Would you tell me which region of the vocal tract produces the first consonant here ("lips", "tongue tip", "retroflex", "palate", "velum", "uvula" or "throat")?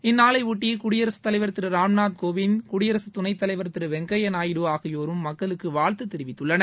tongue tip